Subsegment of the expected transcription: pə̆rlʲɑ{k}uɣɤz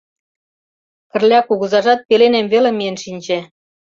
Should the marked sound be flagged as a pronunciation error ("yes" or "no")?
no